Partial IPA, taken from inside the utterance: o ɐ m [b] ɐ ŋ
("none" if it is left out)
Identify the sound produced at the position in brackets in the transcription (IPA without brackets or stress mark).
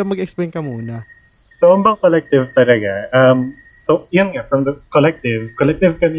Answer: b